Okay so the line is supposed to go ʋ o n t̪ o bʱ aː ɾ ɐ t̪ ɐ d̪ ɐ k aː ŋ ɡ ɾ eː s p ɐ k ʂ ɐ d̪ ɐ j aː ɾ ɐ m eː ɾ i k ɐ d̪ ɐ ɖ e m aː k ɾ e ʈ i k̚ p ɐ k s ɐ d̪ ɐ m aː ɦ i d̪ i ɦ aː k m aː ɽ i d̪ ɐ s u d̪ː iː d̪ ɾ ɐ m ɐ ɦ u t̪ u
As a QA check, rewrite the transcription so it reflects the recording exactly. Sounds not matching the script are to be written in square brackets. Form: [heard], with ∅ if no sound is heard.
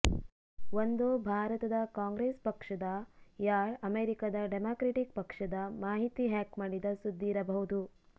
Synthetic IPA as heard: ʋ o n [d̪] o bʱ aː ɾ ɐ t̪ ɐ d̪ ɐ k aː ŋ ɡ ɾ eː s p ɐ k ʂ ɐ d̪ ɐ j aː ɾ ɐ m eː ɾ i k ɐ d̪ ɐ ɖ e m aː k ɾ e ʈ i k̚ p ɐ k [ʂ] ɐ d̪ ɐ m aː ɦ i [t̪] i ɦ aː k m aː ɽ i d̪ ɐ s u d̪ː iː [∅] ɾ ɐ [b] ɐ ɦ u [d̪] u

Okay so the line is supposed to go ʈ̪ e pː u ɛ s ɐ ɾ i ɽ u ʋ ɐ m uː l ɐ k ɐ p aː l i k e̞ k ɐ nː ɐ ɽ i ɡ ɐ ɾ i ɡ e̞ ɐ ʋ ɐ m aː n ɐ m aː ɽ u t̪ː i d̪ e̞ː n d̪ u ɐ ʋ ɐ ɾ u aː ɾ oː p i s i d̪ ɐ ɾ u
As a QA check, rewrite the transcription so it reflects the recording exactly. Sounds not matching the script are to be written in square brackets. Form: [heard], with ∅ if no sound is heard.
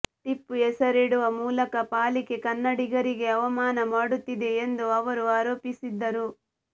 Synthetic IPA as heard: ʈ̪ [i] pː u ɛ s ɐ ɾ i ɽ u ʋ ɐ m uː l ɐ k ɐ p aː l i k e̞ k ɐ nː ɐ ɽ i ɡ ɐ ɾ i ɡ e̞ ɐ ʋ ɐ m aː n ɐ m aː ɽ u t̪ː i d̪ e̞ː n d̪ u ɐ ʋ ɐ ɾ u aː ɾ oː p i s i [d̪ː] ɐ ɾ u

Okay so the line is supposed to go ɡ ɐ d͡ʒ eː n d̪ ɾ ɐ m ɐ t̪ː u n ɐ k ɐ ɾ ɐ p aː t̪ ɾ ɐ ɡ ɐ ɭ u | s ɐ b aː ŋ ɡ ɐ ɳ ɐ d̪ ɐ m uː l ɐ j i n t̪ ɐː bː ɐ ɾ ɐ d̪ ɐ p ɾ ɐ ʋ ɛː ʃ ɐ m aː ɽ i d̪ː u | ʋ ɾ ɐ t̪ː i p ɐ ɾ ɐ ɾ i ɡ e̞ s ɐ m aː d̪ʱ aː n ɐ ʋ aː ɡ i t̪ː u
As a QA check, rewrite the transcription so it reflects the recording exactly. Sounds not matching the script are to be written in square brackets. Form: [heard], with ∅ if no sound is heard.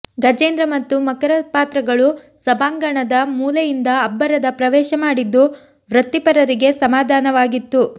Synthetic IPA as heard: ɡ ɐ d͡ʒ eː n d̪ ɾ ɐ m ɐ t̪ː u [m] ɐ k ɐ ɾ ɐ p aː t̪ ɾ ɐ ɡ ɐ ɭ u | s ɐ b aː ŋ ɡ ɐ ɳ ɐ d̪ ɐ m uː l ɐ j i n [d̪] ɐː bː ɐ ɾ ɐ d̪ ɐ p ɾ ɐ ʋ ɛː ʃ ɐ m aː ɽ i d̪ː u | ʋ ɾ ɐ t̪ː i p ɐ ɾ ɐ ɾ i ɡ e̞ s ɐ m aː d̪ʱ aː n ɐ ʋ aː ɡ i t̪ː u

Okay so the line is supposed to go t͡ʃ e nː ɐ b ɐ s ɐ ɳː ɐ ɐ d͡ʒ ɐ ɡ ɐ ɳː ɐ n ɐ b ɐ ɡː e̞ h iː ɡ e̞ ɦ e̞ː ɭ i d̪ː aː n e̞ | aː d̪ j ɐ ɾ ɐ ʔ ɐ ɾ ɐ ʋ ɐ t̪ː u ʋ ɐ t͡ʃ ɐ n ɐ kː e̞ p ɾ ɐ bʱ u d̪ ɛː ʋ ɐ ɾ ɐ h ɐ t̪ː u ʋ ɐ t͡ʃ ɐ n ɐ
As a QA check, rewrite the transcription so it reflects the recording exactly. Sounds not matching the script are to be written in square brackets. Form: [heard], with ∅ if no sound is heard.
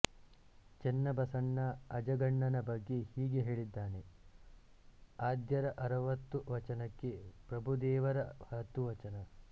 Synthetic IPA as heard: t͡ʃ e nː ɐ b ɐ s ɐ ɳː ɐ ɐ d͡ʒ ɐ ɡ ɐ ɳː ɐ n ɐ b ɐ ɡː e̞ h iː ɡ e̞ ɦ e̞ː ɭ i d̪ː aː n e̞ | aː d̪ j ɐ ɾ ɐ ʔ ɐ ɾ ɐ ʋ ɐ t̪ː u ʋ ɐ t͡ʃ ɐ n ɐ kː e̞ p ɾ ɐ bʱ u d̪ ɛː ʋ ɐ ɾ ɐ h ɐ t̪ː u ʋ ɐ t͡ʃ ɐ n ɐ

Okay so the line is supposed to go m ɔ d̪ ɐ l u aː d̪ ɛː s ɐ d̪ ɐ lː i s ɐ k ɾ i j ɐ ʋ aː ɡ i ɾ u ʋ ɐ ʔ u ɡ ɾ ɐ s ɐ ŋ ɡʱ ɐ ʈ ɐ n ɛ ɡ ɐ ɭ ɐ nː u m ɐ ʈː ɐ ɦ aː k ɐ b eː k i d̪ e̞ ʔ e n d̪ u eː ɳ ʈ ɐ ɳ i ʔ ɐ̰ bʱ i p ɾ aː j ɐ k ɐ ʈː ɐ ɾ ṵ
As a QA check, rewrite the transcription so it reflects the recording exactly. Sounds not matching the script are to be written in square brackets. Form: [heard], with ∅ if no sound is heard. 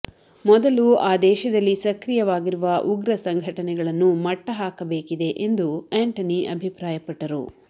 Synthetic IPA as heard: m ɔ d̪ ɐ l u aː d̪ ɛː [ʃ] ɐ d̪ ɐ lː i s ɐ k ɾ i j ɐ ʋ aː ɡ i ɾ u ʋ ɐ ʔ u ɡ ɾ ɐ s ɐ ŋ ɡʱ ɐ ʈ ɐ n ɛ ɡ ɐ ɭ ɐ nː u m ɐ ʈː ɐ ɦ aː k ɐ b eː k i d̪ e̞ ʔ e n d̪ u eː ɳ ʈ ɐ [n] i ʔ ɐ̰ bʱ i p ɾ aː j ɐ [p] ɐ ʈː ɐ ɾ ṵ

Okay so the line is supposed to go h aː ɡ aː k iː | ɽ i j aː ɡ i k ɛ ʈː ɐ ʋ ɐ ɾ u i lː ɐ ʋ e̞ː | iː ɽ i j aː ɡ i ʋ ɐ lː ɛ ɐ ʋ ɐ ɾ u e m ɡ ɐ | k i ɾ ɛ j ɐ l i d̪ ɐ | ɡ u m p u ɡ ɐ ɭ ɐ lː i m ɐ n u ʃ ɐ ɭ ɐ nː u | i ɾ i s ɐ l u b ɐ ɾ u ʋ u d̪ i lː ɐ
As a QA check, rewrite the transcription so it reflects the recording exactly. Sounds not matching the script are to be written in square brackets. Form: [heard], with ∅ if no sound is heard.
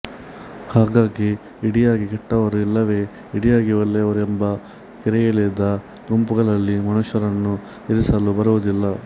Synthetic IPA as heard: h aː ɡ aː [ɡ] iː | ɽ i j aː ɡ i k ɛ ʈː ɐ ʋ ɐ ɾ u i lː ɐ ʋ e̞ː | [i] ɽ i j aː ɡ i ʋ ɐ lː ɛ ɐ ʋ ɐ ɾ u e m [b] ɐ | k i ɾ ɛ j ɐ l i d̪ ɐ | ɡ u m p u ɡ ɐ ɭ ɐ lː i m ɐ n u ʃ ɐ [ɾ] ɐ nː u | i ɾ i s ɐ l u b ɐ ɾ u ʋ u d̪ i lː ɐ

